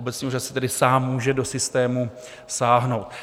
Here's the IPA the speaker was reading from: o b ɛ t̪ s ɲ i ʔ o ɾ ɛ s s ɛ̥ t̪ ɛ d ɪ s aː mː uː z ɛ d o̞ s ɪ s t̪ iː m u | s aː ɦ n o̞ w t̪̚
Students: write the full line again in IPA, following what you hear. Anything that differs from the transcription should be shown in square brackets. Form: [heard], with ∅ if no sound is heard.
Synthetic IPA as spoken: o b ɛ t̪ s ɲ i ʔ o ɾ [a] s s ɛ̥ t̪ ɛ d ɪ s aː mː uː [ʒ] ɛ d o̞ s ɪ s t̪ [ɛː] m u | s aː ɦ n o̞ w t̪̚